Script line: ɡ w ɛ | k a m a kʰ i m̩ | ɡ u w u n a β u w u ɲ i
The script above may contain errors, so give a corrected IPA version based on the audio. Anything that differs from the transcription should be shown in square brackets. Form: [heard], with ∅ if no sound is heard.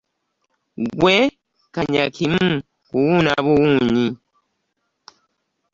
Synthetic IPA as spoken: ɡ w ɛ | k a [ɲ] a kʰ i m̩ | [k] u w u n a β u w u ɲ i